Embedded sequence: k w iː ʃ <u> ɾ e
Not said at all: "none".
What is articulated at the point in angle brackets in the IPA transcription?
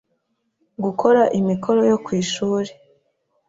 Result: uː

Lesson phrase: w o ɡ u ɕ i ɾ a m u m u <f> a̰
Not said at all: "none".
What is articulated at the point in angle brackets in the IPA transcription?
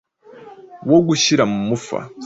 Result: f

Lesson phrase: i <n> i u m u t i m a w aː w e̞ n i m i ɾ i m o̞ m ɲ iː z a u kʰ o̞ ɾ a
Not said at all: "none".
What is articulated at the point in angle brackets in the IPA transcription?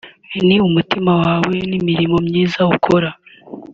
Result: n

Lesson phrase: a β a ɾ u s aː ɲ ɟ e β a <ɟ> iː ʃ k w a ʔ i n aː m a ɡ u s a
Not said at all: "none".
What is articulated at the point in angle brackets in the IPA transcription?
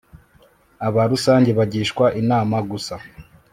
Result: ɟ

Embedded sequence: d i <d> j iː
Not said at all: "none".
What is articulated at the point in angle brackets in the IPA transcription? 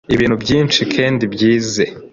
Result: b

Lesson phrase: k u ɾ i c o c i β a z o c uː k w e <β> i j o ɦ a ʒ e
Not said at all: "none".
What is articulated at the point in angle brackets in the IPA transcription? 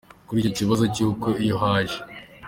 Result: none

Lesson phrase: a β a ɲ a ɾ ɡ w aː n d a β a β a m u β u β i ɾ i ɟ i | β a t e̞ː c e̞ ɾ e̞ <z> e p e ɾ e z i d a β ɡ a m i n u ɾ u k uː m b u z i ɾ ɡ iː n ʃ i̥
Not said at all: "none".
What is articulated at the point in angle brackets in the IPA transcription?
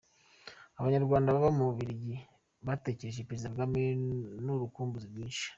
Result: ʒ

